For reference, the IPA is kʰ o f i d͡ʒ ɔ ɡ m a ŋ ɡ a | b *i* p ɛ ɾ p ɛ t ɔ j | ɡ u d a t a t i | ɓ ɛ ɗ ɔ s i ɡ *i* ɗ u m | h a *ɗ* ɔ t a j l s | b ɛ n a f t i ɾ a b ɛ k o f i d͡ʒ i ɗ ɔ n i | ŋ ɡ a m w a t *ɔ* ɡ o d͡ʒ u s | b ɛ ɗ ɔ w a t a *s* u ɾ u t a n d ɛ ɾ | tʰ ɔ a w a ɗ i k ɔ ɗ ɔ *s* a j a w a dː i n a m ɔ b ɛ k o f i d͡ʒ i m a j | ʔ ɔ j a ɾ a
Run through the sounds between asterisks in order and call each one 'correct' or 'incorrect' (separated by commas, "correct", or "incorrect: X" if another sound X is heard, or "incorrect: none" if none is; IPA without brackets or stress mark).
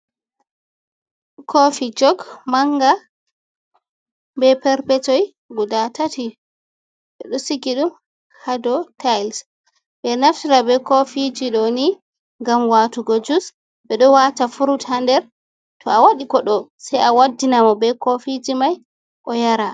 incorrect: ɛ, correct, incorrect: d, incorrect: u, incorrect: f, correct